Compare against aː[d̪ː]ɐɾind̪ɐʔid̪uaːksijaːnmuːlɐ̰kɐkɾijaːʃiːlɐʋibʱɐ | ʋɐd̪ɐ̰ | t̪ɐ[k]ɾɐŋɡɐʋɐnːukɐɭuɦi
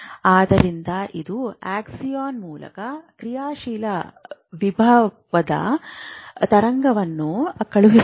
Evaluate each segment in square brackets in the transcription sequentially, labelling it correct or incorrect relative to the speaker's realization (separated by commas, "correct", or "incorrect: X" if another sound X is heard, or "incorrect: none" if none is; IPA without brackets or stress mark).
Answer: incorrect: d̪, incorrect: none